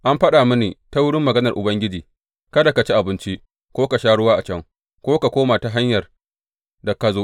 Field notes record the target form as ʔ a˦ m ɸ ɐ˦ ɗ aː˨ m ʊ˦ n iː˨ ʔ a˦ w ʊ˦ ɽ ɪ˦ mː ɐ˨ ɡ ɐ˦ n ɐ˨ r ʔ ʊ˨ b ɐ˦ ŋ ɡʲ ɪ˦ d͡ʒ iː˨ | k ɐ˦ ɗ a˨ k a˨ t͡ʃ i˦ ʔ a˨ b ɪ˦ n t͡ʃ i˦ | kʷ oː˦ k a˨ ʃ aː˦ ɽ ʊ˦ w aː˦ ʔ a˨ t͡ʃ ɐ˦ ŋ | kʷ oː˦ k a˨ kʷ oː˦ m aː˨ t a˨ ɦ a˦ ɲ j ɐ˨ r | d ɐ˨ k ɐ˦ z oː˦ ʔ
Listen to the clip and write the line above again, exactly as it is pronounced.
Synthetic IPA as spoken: ʔ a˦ m ɸ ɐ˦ ɗ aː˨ m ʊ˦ n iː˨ t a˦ w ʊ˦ ɽ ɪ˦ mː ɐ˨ ɡ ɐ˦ n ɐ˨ r ʔ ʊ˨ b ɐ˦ ŋ ɡʲ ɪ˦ d͡ʒ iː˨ | k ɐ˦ d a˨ k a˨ t͡ʃ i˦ ʔ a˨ b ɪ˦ n t͡ʃ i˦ | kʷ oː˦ k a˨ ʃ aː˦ ɽ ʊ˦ w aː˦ ʔ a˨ t͡ʃ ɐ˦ ŋ | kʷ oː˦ k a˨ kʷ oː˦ m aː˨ t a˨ ɦ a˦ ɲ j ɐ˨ r | d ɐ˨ k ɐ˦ z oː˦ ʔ